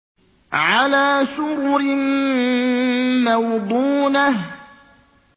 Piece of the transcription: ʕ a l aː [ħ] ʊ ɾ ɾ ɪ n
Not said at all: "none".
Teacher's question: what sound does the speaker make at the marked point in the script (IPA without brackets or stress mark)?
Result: s